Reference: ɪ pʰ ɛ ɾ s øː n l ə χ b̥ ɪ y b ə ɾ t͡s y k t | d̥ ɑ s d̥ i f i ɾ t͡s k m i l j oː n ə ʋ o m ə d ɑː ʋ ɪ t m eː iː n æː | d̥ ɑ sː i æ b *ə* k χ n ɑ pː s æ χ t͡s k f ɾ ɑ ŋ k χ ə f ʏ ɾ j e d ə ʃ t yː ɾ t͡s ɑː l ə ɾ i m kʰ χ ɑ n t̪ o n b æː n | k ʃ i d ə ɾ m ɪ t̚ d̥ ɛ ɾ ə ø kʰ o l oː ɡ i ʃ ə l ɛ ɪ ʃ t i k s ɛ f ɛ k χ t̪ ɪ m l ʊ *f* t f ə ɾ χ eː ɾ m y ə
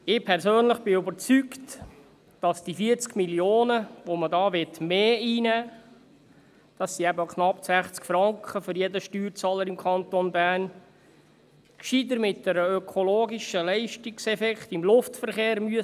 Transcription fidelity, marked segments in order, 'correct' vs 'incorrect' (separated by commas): correct, correct